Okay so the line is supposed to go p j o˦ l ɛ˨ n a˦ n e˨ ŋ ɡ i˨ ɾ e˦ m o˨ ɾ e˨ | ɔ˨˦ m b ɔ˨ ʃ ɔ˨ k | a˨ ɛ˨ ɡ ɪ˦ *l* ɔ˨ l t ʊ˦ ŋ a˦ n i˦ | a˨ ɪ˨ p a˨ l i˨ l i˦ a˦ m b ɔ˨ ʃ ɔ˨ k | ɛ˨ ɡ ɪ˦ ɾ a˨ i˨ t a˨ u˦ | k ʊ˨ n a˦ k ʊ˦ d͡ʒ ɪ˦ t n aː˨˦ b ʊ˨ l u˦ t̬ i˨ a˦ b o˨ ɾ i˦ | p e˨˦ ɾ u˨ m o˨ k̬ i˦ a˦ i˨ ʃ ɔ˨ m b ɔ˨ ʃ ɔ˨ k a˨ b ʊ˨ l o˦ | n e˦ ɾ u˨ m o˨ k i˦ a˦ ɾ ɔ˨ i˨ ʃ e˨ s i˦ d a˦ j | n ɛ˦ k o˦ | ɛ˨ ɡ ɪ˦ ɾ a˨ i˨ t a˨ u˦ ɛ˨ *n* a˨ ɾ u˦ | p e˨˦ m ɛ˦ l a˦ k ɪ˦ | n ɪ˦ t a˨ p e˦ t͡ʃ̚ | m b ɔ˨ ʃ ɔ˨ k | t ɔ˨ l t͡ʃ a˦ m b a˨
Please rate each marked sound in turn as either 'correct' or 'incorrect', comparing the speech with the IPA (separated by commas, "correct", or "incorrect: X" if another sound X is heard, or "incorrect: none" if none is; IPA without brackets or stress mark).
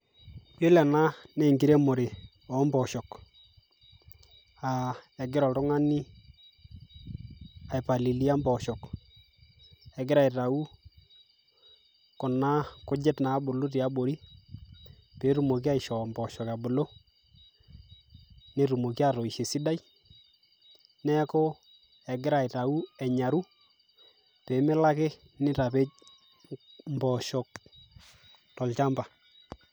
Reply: incorrect: ɾ, incorrect: ɲ